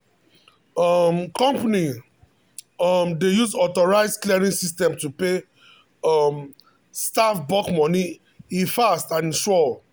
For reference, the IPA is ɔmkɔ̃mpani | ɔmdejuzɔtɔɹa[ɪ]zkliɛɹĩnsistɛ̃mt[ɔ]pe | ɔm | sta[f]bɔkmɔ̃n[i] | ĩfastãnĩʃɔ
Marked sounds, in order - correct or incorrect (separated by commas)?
correct, incorrect, correct, correct